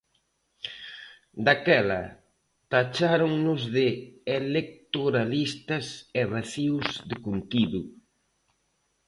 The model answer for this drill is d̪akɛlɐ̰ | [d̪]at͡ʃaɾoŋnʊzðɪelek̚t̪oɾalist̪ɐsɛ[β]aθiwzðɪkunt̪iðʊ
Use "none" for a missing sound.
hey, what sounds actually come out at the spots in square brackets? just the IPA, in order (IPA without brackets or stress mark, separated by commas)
t̪, β